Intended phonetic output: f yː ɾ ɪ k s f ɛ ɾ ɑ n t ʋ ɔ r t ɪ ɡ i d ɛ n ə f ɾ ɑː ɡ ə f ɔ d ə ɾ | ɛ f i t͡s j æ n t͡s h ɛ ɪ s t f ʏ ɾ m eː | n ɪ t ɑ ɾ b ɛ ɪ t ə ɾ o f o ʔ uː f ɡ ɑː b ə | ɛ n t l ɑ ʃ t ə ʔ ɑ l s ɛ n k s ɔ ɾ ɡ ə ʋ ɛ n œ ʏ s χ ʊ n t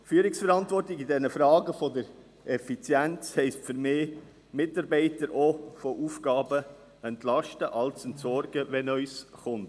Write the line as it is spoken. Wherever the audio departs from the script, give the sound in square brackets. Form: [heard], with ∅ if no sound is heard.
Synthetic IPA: f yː ɾ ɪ k s f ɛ ɾ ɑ n t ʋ ɔ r t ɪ ɡ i d ɛ n ə f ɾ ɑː ɡ ə f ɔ d ə ɾ | ɛ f i t͡s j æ n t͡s h ɛ ɪ s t f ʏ ɾ m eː | [m] ɪ t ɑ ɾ b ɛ ɪ t ə ɾ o f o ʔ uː f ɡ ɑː b ə | ɛ n t l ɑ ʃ t ə ʔ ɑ l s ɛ n [t] s ɔ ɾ ɡ ə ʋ ɛ n œ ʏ s χ ʊ n t